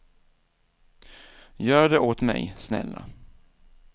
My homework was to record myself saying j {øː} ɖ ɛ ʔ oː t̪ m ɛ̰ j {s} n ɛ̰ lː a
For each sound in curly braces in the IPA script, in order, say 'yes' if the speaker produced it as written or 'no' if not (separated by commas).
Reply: no, yes